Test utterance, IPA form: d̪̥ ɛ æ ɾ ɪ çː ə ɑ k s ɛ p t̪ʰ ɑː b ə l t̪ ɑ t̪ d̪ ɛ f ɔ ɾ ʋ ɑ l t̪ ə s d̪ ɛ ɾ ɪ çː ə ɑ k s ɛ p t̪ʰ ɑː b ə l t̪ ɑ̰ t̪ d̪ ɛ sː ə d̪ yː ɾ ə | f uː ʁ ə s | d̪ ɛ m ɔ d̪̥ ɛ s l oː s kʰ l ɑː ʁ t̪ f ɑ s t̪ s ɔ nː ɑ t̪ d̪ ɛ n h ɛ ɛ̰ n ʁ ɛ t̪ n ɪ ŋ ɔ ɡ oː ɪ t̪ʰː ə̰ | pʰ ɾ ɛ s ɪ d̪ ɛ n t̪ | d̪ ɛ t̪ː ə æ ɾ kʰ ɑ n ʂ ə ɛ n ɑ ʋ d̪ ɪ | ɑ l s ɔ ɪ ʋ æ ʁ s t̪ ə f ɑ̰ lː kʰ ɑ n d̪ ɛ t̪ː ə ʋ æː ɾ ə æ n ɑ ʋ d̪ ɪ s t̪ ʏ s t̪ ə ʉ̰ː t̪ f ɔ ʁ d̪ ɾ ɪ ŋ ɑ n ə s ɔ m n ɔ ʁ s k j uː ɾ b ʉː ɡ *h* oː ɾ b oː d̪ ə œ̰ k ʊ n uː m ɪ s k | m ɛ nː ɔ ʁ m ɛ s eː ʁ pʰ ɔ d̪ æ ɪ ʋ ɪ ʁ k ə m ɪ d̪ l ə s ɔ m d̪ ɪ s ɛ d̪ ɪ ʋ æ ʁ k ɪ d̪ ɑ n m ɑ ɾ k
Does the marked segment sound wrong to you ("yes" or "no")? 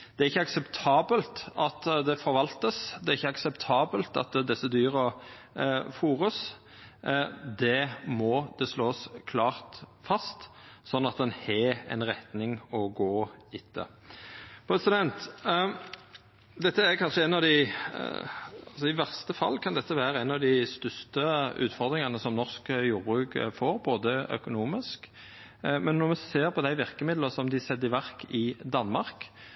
yes